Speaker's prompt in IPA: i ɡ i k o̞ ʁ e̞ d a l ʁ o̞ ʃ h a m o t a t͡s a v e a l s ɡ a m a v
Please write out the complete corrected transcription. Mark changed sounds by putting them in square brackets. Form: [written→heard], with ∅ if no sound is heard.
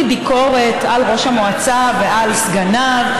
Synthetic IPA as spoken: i [ɡ→b] i k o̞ ʁ e̞ [d→t] a l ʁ o̞ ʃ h a m o [t→∅] a t͡s a v e a l s ɡ a [m→n] a v